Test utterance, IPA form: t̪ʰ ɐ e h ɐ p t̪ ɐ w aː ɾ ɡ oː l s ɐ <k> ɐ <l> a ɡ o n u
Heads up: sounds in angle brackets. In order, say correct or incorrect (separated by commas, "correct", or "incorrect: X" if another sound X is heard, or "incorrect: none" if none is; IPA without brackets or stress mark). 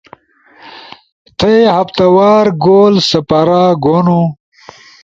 incorrect: p, incorrect: ɾ